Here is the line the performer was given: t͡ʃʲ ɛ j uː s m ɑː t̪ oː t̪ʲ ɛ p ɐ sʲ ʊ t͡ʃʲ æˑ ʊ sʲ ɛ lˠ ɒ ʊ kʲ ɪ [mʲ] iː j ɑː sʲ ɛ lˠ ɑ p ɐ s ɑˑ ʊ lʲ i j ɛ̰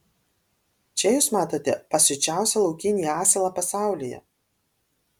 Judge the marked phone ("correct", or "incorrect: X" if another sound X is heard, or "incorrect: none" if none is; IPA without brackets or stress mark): incorrect: nʲ